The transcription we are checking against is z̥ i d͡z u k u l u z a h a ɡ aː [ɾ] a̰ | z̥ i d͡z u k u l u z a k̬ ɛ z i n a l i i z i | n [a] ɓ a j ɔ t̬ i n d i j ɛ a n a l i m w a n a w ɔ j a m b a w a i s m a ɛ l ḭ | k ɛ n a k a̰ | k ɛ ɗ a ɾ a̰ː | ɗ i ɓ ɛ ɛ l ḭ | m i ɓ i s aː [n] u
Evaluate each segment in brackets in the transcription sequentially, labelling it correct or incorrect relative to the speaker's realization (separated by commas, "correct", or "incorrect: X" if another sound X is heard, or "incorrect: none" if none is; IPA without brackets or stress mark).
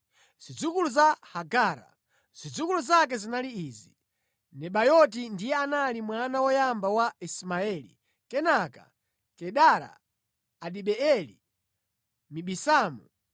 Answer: correct, incorrect: ɛ, incorrect: m